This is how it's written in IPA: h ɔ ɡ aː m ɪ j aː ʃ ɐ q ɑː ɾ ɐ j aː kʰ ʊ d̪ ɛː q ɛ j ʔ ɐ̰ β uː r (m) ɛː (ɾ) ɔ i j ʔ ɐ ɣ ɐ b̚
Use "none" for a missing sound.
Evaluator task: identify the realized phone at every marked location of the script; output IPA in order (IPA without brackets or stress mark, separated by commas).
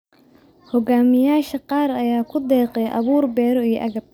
b, ɾ